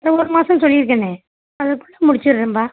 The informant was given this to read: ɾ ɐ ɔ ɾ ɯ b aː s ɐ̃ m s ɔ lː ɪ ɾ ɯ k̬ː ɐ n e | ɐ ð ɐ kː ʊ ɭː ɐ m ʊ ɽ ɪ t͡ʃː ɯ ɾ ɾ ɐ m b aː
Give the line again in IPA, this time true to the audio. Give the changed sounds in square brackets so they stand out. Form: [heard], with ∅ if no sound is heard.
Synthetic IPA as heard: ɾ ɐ ɔ ɾ ɯ [m] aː s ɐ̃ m s ɔ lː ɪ ɾ ɯ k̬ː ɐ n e | ɐ ð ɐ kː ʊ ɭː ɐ m ʊ ɽ ɪ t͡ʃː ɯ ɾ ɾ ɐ m b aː